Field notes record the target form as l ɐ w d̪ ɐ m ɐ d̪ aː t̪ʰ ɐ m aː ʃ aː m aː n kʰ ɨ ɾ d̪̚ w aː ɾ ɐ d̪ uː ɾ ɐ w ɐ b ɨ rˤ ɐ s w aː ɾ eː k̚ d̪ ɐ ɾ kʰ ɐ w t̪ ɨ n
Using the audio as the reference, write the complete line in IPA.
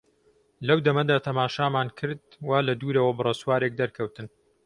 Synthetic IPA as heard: l ɐ w d̪ ɐ m ɐ d̪ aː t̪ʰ ɐ m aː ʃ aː m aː n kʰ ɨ ɾ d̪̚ w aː l ɐ d̪ uː ɾ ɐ w ɐ b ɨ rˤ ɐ s w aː ɾ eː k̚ d̪ ɐ ɾ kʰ ɐ w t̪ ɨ n